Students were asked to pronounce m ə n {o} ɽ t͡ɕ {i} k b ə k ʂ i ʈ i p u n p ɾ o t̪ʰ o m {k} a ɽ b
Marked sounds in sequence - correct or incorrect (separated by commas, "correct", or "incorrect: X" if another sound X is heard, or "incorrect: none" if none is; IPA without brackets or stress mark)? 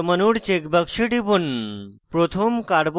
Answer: incorrect: u, incorrect: e, correct